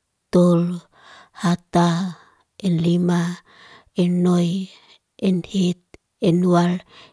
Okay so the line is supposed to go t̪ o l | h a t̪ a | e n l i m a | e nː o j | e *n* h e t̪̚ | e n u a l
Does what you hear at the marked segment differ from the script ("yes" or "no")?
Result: no